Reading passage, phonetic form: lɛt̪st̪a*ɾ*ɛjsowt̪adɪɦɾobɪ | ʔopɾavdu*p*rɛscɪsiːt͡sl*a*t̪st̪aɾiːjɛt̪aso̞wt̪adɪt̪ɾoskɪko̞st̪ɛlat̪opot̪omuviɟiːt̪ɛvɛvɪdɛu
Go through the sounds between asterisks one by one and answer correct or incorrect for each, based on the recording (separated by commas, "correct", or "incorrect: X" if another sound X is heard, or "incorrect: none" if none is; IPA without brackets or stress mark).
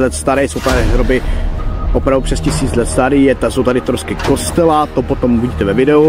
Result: correct, correct, incorrect: ɛ